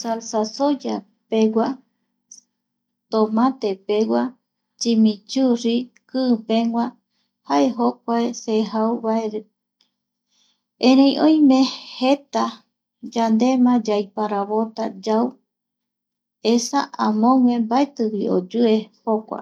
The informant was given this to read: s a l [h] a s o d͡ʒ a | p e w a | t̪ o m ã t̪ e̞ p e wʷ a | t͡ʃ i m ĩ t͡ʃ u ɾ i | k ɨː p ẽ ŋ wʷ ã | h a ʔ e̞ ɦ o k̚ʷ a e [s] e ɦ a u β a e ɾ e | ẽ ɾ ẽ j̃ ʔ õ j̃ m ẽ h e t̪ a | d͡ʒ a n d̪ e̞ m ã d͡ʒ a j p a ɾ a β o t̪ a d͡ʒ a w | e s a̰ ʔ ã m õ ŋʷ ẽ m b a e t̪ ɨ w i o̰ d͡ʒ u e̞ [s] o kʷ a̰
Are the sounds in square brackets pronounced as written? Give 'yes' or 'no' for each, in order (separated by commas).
no, yes, no